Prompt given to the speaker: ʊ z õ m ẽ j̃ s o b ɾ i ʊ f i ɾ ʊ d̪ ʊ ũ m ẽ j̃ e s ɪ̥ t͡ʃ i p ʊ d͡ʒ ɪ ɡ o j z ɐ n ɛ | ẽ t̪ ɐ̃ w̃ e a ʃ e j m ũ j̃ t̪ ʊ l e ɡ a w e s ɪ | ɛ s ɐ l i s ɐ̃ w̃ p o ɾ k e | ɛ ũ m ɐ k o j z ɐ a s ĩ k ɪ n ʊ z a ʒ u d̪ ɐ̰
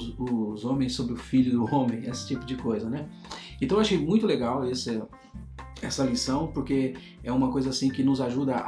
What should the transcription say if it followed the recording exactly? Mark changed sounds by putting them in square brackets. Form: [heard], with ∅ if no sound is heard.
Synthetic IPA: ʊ z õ m ẽ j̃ s o b ɾ [ɪ] ʊ f i [ʎ] ʊ d̪ ʊ [õ] m ẽ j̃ e s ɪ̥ t͡ʃ i p ʊ d͡ʒ ɪ [k] o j z ɐ n ɛ | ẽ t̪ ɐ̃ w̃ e a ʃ e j m ũ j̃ t̪ ʊ l e ɡ a w e s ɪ | ɛ s ɐ l i s ɐ̃ w̃ p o ɾ k e | ɛ ũ m ɐ k o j z ɐ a s ĩ k ɪ n ʊ z a ʒ u d̪ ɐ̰